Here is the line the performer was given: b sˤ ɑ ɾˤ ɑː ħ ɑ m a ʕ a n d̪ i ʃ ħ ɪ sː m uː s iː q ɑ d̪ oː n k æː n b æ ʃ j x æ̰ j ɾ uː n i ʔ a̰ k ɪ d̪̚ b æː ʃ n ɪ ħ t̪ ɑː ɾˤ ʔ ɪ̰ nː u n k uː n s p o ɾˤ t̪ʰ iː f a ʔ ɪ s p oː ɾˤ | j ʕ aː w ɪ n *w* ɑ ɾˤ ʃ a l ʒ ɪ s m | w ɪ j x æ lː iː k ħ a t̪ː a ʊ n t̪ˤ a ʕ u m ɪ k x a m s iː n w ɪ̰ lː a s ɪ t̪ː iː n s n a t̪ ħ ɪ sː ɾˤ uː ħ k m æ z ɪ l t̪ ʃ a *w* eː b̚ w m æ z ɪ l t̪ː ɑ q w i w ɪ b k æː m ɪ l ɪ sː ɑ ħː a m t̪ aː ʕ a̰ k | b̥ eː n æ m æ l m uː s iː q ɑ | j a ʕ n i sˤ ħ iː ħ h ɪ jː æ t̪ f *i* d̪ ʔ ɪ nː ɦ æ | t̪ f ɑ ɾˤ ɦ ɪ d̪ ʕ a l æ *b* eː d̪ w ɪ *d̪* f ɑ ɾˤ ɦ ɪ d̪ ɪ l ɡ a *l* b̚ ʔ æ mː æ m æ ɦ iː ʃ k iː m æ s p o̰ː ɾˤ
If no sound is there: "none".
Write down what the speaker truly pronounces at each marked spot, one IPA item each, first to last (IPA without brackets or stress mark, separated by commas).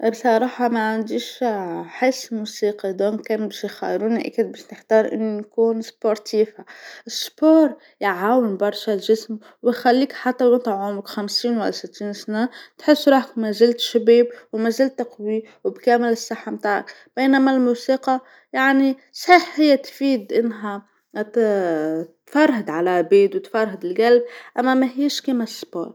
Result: b, b, iː, b, t̪, l